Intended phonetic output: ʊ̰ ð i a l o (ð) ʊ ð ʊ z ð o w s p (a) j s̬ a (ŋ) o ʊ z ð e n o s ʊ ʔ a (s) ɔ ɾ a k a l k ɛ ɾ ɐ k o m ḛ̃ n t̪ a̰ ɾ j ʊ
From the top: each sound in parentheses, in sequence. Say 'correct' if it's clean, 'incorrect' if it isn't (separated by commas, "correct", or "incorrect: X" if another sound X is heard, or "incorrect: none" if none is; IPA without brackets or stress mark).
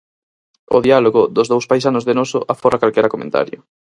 incorrect: ɣ, correct, incorrect: n, incorrect: f